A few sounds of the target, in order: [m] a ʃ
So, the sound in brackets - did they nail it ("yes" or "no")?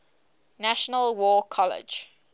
no